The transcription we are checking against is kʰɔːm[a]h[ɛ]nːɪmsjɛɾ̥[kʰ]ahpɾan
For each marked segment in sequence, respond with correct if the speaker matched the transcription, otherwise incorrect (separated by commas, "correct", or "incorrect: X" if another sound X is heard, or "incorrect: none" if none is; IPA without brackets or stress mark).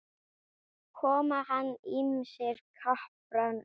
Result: correct, incorrect: a, correct